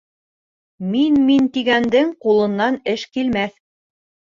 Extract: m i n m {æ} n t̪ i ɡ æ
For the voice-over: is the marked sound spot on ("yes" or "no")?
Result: no